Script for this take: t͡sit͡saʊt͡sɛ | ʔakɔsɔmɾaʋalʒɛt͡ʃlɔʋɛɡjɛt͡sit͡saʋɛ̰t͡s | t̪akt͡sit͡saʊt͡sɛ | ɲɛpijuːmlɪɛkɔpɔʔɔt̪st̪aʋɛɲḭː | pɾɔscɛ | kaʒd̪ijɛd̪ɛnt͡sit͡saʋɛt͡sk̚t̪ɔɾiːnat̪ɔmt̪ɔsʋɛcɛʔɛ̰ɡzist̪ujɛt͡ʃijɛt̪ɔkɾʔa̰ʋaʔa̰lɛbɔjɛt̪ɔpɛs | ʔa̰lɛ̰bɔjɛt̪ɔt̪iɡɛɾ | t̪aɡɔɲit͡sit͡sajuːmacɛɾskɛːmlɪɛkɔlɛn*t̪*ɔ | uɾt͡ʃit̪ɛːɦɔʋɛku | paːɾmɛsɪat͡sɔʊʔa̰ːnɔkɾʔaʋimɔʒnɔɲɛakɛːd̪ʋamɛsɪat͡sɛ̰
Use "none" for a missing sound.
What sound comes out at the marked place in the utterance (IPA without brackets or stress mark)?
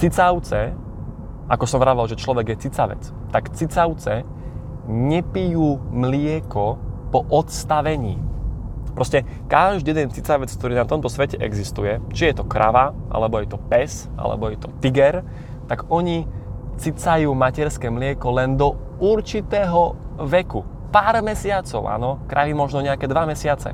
d̪